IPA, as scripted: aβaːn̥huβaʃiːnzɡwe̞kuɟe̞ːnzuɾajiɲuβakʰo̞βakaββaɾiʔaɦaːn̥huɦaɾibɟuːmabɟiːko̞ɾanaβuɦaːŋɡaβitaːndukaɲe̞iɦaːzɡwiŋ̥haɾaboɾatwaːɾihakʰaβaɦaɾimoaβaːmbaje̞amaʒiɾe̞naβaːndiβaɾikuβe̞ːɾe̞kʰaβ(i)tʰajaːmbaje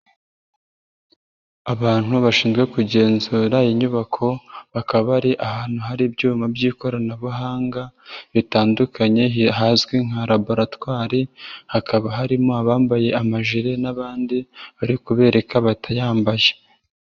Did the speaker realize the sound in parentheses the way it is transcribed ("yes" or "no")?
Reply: no